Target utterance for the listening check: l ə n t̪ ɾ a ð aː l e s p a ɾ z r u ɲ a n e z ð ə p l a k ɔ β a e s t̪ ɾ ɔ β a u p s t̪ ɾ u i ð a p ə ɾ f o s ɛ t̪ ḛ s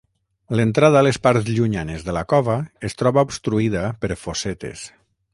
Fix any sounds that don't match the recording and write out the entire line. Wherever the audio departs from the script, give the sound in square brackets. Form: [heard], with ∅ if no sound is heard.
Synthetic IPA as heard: l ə n t̪ ɾ a ð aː l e s p a ɾ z [ʎ] u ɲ a n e z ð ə [∅] l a k ɔ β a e s t̪ ɾ ɔ β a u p s t̪ ɾ u i ð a p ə ɾ f o s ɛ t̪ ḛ s